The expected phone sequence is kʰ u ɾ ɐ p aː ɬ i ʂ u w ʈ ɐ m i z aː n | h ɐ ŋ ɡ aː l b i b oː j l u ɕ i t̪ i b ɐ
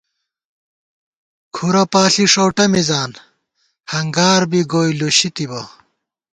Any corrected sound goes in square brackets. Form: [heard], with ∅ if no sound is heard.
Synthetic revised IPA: kʰ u ɾ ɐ p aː ɬ i ʂ [o] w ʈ ɐ m i z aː n | h ɐ ŋ ɡ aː [ɾ] b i [ɡ] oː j l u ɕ i t̪ i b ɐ

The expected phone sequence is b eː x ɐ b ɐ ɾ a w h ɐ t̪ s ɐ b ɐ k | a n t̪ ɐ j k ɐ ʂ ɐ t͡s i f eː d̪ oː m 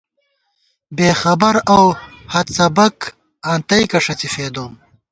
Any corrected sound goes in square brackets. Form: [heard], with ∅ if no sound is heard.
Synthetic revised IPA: b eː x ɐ b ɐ ɾ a w h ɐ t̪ s ɐ b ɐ k | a n t̪ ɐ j k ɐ ʂ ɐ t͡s i f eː d̪ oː m

